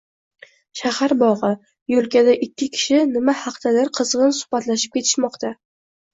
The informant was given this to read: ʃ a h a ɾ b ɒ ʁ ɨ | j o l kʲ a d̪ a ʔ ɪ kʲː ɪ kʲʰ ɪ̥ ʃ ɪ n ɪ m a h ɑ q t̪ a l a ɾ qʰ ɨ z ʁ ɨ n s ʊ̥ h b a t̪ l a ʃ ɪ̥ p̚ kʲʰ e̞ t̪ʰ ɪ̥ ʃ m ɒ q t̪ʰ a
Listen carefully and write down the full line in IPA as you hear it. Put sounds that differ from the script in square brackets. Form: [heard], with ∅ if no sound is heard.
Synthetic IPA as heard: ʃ a h a ɾ b ɒ ʁ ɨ | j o l kʲ a d̪ a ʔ ɪ kʲː ɪ kʲʰ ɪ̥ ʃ ɪ n ɪ m a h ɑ q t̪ a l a ɾ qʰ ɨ z ʁ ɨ n s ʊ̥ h b a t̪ l a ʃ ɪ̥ p̚ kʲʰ e̞ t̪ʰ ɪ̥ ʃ m ɒ q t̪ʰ a